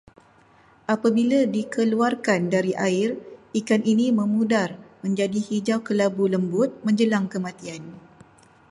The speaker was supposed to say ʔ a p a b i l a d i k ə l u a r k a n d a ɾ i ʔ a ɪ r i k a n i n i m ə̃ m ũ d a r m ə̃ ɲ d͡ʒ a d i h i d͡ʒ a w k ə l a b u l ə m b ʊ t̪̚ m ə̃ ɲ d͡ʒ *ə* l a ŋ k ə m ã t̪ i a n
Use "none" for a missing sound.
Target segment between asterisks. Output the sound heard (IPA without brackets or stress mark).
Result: ə